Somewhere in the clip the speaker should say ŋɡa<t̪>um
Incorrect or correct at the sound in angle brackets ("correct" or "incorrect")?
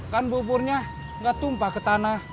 correct